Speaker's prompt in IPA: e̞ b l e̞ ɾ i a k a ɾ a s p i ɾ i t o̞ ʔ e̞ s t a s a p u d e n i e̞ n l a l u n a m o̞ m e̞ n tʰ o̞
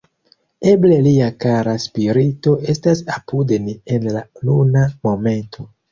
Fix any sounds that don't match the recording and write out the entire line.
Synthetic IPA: e̞ b l e̞ l i a k a ɾ a s p i ɾ i t o̞ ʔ e̞ s t a s a p u d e n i e̞ n l a l u n a m o̞ m e̞ n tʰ o̞